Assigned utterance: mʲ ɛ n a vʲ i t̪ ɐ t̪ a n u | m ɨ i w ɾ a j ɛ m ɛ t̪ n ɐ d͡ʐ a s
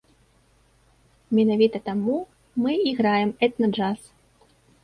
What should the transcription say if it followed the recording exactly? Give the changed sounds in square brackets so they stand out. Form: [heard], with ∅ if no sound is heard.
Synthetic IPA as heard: mʲ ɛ n a vʲ i t̪ ɐ t̪ a [m] u | m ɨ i [ɣ] ɾ a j ɛ m ɛ t̪ n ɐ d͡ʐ a s